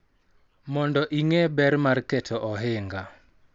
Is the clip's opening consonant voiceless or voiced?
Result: voiced